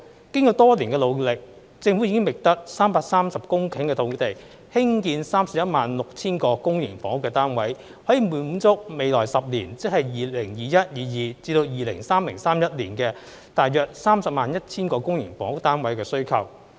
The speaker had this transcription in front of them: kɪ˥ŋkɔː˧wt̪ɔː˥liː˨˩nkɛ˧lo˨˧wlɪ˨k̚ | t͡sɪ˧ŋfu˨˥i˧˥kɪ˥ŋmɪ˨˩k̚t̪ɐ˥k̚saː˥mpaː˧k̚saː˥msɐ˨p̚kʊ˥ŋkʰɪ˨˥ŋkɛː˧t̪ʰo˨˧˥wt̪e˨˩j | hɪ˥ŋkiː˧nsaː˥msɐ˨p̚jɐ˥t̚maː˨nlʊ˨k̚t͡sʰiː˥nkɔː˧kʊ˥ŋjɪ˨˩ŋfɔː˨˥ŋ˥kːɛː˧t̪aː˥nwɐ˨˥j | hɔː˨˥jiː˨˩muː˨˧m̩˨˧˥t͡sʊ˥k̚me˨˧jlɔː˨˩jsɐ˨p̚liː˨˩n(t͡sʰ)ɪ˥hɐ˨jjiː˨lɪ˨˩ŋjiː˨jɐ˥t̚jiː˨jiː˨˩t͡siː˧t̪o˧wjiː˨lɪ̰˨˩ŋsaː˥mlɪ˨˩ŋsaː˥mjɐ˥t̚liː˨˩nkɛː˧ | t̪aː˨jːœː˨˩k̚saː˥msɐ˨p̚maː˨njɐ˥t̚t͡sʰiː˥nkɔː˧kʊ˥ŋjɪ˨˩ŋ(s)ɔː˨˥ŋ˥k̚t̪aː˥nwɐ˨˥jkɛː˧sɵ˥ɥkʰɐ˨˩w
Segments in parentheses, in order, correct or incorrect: incorrect: t͡s, incorrect: f

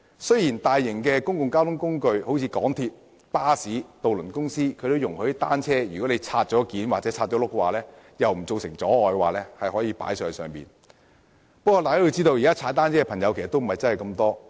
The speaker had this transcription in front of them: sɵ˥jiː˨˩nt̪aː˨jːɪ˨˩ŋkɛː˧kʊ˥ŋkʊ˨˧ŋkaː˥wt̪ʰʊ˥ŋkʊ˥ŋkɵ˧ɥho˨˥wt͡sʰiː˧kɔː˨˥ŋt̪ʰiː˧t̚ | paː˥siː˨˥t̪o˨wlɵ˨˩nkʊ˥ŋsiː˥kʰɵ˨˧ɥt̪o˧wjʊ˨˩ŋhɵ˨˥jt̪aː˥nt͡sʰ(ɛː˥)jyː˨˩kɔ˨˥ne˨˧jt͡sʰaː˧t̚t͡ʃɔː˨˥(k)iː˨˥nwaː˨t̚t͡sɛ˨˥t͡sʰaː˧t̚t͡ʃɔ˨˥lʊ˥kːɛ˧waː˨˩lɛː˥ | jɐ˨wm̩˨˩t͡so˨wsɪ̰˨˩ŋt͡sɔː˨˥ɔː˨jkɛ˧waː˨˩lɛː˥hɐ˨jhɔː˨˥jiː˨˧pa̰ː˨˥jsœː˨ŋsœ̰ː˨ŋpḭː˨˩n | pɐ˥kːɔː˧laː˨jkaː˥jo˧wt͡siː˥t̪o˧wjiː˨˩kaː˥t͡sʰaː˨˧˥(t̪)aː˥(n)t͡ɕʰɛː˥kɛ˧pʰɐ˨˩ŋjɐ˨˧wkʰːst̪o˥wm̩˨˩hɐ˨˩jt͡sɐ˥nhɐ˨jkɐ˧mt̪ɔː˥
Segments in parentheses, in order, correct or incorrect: correct, correct, correct, correct

